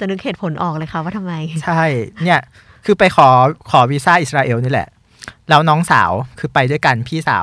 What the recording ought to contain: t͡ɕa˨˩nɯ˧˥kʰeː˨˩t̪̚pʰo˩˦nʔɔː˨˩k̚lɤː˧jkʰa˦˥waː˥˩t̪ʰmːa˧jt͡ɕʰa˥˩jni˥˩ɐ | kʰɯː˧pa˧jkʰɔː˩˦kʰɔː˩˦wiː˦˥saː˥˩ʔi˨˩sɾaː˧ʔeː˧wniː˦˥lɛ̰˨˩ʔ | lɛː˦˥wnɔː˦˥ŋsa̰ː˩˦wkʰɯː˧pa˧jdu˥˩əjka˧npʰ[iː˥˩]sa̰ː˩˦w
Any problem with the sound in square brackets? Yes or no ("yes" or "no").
no